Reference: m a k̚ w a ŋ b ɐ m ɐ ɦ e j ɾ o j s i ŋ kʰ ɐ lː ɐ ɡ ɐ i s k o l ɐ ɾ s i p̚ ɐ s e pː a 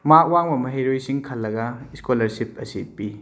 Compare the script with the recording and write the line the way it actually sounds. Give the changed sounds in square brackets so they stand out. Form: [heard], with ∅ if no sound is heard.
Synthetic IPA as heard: m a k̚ w a ŋ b ɐ m ɐ ɦ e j ɾ o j s i ŋ kʰ ɐ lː ɐ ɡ ɐ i s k o l ɐ ɾ s i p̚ ɐ s [i] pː [i]